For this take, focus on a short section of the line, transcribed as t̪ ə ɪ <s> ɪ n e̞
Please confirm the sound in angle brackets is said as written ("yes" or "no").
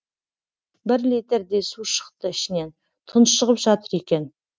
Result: no